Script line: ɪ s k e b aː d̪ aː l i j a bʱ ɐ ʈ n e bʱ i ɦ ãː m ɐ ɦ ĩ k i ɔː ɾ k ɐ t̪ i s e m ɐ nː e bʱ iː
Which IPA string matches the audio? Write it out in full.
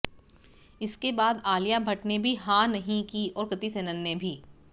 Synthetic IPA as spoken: ɪ s k e b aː d̪ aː l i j a bʱ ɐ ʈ n e bʱ i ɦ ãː n ɐ ɦ ĩ k i ɔː ɾ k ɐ t̪ i s e n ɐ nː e bʱ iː